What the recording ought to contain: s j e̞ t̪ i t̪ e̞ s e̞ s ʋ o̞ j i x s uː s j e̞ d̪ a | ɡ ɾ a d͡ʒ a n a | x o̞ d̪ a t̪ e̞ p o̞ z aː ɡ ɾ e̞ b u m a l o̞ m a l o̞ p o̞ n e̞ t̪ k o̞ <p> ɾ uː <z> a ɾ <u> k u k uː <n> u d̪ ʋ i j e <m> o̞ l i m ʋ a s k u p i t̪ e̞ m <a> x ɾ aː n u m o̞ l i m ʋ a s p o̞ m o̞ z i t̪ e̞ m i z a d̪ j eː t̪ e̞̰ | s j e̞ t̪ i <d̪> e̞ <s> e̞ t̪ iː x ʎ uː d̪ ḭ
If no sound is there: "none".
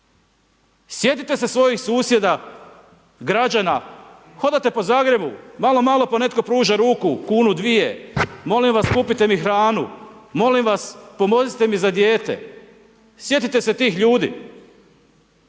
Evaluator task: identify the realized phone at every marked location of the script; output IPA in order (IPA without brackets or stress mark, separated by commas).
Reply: p, ʒ, uː, n, m, i, t̪, s